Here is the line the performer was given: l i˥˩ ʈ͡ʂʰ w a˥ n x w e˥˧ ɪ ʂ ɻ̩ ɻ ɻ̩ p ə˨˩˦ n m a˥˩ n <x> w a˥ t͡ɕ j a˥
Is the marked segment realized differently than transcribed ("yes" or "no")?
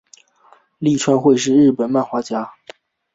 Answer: no